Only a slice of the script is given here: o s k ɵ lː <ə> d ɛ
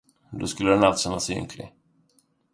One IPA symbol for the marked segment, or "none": ə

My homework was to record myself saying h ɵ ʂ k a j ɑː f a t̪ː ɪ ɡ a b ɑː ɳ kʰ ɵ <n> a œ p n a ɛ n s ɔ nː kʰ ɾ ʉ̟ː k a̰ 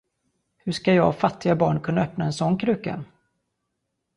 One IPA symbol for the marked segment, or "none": nː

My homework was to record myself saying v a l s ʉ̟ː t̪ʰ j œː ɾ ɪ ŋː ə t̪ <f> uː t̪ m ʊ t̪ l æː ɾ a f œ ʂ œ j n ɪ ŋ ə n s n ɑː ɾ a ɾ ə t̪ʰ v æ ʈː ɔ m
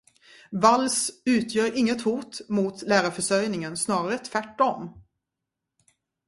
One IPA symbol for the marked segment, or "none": h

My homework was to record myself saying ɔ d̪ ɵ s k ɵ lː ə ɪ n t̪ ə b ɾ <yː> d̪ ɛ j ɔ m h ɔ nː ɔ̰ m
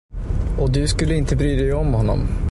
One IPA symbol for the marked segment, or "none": yː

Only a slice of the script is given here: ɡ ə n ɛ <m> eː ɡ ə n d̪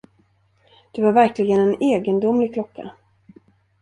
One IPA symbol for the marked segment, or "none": n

